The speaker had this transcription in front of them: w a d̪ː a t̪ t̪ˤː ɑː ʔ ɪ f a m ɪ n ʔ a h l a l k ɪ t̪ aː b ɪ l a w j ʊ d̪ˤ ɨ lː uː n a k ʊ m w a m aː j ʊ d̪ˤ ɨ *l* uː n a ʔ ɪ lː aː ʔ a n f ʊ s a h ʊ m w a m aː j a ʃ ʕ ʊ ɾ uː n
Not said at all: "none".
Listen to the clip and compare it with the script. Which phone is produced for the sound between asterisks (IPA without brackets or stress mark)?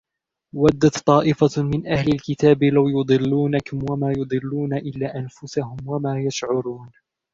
lː